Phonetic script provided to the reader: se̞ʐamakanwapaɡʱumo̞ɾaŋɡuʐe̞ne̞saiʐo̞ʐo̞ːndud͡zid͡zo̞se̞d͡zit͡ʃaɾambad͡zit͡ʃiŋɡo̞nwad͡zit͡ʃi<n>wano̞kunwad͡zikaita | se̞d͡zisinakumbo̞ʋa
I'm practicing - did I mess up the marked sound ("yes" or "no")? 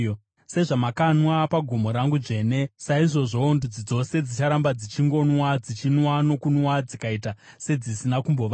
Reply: no